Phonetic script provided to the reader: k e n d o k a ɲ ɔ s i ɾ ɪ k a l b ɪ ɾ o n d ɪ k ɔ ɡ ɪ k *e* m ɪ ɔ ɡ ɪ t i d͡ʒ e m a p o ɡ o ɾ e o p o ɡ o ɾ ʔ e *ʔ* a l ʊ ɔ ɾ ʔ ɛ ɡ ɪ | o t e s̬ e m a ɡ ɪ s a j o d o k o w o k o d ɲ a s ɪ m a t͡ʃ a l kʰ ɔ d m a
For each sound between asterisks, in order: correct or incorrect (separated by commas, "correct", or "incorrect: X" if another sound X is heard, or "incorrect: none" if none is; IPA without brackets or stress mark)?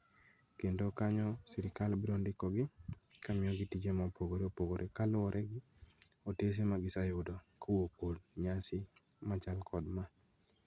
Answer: incorrect: a, incorrect: k